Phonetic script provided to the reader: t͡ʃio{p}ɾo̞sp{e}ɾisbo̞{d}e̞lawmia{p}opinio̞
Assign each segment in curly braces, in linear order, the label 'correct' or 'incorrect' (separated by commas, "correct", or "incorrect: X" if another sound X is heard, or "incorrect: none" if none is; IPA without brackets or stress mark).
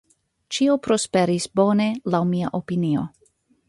correct, correct, incorrect: n, incorrect: ʔ